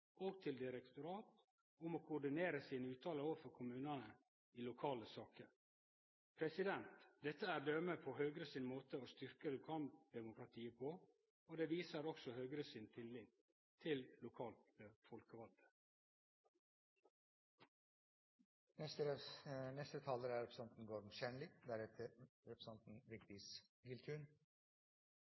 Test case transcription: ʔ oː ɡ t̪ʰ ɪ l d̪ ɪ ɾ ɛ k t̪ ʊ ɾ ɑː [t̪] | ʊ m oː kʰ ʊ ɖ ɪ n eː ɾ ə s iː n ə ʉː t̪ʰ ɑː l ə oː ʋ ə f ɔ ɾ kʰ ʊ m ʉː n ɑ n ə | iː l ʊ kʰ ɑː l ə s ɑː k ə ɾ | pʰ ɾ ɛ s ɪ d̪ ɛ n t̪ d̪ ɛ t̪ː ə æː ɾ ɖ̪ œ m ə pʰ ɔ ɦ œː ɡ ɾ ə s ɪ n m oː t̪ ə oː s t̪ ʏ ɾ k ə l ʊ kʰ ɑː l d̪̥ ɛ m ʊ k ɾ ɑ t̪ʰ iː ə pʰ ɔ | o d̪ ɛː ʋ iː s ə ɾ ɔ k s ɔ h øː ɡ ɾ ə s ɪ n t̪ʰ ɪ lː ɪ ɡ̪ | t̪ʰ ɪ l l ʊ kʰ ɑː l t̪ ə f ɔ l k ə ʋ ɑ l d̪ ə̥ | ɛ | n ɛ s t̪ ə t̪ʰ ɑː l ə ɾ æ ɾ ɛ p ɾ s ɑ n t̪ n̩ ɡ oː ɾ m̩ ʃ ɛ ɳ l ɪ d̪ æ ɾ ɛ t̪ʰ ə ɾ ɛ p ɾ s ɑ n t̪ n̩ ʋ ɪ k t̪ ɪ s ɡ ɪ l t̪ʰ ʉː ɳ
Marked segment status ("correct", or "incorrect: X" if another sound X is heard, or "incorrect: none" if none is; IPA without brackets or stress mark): correct